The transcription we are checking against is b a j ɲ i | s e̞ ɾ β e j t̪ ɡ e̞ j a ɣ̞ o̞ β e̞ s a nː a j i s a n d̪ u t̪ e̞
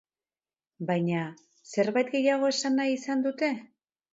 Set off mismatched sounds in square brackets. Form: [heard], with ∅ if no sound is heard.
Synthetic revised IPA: b a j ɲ [a] | s e̞ ɾ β [a] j t̪ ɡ e̞ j a ɣ̞ o̞ [∅] e̞ s a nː a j i s a n d̪ u t̪ e̞